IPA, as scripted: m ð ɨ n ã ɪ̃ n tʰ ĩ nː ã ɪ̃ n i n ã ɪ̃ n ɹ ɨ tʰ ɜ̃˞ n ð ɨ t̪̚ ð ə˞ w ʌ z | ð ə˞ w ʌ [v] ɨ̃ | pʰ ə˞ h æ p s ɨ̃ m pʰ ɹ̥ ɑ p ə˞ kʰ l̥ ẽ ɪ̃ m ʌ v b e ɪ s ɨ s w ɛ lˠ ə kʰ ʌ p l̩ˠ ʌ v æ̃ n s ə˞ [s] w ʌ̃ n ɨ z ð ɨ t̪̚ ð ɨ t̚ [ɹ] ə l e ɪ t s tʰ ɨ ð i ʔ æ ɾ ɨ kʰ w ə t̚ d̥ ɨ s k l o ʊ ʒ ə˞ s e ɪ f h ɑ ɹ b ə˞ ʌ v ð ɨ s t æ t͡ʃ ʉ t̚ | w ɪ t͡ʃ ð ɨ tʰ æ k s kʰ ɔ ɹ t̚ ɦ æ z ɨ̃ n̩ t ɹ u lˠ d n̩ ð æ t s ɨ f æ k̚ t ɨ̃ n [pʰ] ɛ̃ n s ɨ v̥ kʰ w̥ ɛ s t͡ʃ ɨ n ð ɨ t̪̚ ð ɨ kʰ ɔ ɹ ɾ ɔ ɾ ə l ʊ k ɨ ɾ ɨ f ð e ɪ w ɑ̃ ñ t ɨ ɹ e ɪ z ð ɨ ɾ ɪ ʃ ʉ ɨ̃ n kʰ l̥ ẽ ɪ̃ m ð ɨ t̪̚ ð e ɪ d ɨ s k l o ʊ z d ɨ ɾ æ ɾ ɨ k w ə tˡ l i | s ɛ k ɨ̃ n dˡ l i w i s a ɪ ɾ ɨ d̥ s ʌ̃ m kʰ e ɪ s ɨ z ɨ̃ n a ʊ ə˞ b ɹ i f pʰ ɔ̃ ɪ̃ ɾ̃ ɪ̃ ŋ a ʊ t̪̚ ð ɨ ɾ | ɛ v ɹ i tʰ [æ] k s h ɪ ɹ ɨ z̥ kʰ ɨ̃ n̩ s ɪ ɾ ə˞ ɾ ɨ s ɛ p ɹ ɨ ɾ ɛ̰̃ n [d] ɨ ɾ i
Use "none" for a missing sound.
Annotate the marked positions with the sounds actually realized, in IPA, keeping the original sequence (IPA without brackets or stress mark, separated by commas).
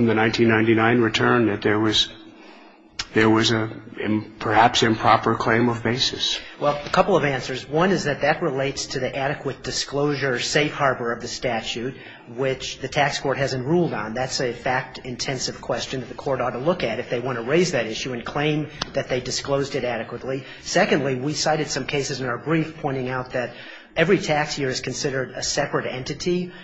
z, z, ɹ, tʰ, æ, t